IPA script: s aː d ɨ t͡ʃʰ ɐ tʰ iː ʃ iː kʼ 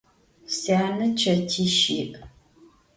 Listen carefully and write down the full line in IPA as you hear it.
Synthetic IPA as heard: s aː n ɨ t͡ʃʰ ɐ tʰ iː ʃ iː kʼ